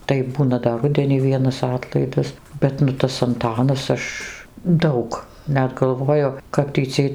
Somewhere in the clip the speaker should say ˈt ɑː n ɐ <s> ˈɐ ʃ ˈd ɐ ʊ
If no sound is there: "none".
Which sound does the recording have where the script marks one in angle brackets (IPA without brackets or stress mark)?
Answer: s